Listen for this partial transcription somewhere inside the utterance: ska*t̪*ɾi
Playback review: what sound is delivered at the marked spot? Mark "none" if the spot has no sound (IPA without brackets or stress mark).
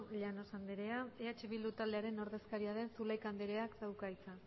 none